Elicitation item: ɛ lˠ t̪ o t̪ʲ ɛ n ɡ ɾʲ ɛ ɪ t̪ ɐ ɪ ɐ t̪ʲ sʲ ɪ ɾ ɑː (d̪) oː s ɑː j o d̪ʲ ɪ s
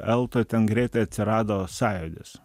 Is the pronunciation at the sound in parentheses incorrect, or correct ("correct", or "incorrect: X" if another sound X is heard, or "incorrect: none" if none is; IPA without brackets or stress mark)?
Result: correct